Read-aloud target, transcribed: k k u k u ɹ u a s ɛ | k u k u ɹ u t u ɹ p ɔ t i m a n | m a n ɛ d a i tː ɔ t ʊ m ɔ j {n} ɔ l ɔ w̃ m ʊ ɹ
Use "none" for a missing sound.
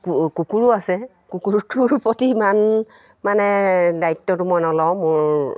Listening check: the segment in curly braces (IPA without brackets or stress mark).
n